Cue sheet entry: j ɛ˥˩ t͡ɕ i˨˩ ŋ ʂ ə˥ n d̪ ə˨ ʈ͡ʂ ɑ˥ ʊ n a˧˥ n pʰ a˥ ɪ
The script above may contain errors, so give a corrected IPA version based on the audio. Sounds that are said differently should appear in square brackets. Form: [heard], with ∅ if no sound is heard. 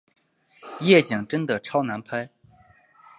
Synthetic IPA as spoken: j ɛ˥˩ t͡ɕ i˨˩ ŋ [ʈ͡ʂ] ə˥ n d̪ ə˨ [ʈ͡ʂʰ] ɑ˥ ʊ n a˧˥ n pʰ a˥ ɪ

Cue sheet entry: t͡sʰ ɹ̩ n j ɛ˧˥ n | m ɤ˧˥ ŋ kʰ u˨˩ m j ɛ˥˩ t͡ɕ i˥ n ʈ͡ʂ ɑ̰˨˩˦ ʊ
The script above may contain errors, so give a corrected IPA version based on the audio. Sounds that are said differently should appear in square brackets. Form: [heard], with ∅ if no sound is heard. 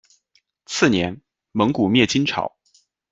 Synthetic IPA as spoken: t͡sʰ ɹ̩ n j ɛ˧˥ n | m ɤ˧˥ ŋ [k] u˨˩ m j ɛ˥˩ t͡ɕ i˥ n [ʈ͡ʂʰ] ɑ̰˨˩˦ ʊ

